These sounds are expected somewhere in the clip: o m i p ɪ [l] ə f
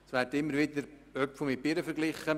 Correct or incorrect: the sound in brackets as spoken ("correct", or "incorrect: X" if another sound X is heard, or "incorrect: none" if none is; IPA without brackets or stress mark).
incorrect: ɾ